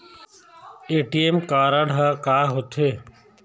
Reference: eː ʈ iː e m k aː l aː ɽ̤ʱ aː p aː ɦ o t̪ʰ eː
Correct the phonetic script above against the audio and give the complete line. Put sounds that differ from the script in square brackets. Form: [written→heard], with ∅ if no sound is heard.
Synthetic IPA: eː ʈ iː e m k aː [l→ɾ] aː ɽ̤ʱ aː [p→k] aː ɦ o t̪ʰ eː